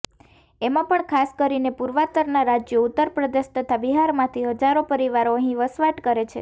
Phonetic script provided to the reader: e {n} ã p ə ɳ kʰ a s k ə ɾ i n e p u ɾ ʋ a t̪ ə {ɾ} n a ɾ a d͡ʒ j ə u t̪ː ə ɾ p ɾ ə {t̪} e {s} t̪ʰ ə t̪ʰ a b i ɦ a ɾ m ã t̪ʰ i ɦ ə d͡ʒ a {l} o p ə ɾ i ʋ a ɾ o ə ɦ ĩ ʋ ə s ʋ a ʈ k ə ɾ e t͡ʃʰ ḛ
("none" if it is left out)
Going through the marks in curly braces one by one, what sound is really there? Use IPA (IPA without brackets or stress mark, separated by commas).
m, ɾ, d̪, ʃ, ɾ